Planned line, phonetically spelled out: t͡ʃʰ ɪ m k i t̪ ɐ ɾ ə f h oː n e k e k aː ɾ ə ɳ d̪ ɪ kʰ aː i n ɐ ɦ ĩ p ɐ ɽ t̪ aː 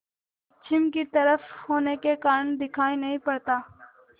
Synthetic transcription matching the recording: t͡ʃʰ ɪ m k i t̪ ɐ ɾ ə f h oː n e k e k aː ɾ ə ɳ d̪ ɪ kʰ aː i n ɐ ɦ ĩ p ɐ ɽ t̪ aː